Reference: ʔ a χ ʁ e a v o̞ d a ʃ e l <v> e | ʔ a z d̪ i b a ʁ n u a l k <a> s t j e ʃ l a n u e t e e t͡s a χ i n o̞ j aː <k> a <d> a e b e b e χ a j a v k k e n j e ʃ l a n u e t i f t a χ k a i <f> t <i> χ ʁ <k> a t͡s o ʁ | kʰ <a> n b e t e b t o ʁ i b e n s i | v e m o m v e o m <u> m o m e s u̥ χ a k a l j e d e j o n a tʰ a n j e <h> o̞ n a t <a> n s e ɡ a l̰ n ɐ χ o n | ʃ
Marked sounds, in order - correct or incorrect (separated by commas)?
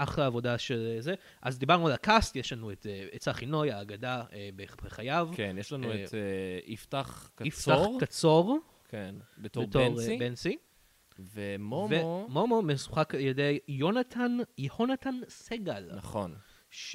incorrect, correct, incorrect, correct, correct, incorrect, correct, incorrect, incorrect, correct, correct